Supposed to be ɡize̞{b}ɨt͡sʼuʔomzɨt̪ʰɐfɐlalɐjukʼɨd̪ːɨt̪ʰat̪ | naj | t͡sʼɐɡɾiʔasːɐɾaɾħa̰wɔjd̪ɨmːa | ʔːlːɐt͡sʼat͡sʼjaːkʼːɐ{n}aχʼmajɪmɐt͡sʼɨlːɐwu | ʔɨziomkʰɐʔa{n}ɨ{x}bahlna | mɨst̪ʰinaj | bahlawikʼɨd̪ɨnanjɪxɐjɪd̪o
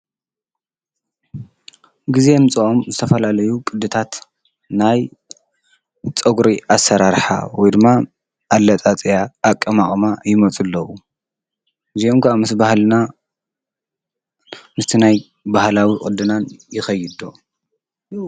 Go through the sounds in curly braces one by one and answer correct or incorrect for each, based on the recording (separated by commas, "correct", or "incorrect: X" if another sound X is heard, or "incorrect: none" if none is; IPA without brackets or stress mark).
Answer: incorrect: m, incorrect: m, incorrect: m, incorrect: s